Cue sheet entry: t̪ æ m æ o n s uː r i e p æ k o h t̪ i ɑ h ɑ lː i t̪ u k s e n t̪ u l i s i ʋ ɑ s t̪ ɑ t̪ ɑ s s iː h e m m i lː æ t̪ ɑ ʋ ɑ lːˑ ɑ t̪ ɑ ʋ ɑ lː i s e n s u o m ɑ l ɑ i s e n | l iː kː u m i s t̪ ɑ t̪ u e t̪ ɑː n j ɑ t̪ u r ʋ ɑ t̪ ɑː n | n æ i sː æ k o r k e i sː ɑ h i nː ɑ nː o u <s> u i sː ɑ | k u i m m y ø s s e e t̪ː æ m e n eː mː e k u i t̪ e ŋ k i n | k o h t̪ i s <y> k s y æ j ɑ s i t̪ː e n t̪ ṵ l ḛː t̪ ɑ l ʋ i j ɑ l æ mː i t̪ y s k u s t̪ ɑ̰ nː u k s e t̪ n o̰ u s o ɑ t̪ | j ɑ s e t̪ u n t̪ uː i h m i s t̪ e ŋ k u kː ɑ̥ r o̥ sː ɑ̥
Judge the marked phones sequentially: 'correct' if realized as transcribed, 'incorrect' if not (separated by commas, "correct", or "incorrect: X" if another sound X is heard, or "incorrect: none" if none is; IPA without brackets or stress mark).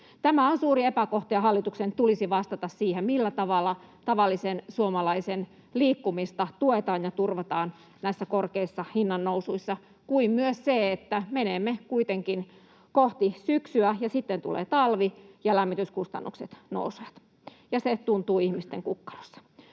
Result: correct, correct